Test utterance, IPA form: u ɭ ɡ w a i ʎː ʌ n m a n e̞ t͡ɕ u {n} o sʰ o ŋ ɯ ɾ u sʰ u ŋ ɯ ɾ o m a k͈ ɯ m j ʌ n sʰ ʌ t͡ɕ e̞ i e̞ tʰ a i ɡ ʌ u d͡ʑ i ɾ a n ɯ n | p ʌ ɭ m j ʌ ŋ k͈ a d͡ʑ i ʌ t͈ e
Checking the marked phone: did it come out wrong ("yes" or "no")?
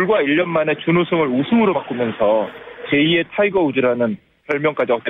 no